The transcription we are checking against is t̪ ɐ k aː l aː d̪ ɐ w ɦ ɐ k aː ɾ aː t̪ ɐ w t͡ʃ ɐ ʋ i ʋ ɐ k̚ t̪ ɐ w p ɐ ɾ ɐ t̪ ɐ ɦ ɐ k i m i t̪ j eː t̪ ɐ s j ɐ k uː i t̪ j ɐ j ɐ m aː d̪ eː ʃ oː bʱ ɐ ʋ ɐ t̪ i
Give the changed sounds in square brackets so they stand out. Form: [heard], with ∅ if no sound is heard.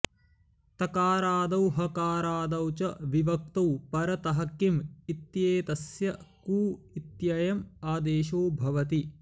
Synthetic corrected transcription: t̪ ɐ k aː [ɾ] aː d̪ ɐ w ɦ ɐ k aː ɾ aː [d̪] ɐ w t͡ʃ ɐ ʋ i ʋ ɐ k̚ t̪ ɐ w p ɐ ɾ ɐ t̪ ɐ ɦ ɐ k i m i t̪ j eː t̪ ɐ s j ɐ k uː i t̪ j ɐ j ɐ m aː d̪ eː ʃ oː bʱ ɐ ʋ ɐ t̪ i